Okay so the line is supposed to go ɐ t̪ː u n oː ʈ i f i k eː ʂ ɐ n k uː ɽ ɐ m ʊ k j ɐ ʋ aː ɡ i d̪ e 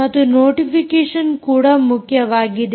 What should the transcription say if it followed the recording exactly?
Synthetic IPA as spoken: ɐ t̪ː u n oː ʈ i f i k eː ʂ ɐ n k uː ɽ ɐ m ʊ k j ɐ ʋ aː ɡ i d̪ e